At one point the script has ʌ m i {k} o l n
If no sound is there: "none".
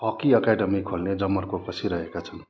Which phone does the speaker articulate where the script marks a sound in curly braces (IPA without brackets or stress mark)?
kʰ